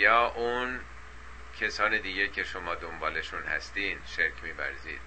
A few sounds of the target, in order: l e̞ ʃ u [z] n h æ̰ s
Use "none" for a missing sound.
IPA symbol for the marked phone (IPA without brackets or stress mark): none